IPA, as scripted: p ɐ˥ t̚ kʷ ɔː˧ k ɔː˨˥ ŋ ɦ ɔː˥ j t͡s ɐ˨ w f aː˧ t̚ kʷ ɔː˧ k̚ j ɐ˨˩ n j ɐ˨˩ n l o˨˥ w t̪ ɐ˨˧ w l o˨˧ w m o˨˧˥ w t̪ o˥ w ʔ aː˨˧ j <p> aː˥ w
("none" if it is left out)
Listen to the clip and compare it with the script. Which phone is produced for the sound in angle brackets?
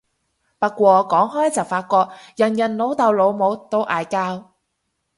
k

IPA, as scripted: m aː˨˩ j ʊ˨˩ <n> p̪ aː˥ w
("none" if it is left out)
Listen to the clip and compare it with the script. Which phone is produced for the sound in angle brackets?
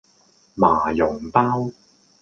ŋ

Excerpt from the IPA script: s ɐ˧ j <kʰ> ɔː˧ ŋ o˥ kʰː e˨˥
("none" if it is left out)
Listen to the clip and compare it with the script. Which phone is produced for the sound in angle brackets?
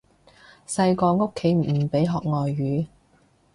k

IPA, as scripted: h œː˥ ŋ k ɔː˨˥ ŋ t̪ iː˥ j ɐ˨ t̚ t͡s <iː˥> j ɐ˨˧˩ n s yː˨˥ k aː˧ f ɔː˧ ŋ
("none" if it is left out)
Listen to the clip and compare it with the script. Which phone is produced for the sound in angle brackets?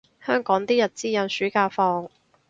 iː˥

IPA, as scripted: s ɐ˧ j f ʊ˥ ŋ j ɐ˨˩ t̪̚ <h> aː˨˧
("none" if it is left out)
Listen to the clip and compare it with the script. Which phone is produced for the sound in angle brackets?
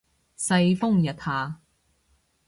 h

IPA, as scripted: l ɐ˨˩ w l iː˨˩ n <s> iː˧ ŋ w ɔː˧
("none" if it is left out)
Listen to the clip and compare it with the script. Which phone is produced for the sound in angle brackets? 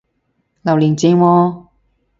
t͡s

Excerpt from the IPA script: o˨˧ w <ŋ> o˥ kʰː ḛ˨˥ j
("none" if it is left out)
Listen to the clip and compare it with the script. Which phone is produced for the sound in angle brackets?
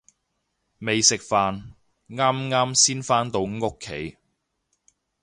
ŋ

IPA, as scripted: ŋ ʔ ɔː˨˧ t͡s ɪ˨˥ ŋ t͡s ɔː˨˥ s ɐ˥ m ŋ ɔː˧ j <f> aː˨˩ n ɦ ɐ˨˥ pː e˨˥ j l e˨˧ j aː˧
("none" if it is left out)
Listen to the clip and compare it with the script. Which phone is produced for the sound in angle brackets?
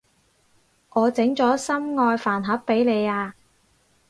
f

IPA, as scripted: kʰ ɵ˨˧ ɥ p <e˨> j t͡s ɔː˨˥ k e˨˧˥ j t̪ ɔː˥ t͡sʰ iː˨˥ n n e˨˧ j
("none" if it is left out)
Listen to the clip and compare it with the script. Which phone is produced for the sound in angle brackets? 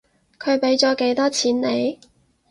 e˨˥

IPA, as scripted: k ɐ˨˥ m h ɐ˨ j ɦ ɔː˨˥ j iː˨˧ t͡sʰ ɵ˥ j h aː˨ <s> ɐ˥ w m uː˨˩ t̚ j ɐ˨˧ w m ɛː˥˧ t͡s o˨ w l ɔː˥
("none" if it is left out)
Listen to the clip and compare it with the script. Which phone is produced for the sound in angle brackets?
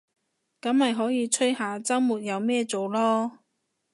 t͡s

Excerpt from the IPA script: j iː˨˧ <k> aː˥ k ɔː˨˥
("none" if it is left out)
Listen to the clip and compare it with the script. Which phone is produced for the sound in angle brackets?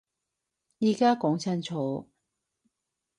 k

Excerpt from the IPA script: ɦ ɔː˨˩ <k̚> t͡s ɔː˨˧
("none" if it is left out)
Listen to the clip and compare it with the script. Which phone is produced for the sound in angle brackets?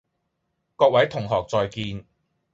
k̚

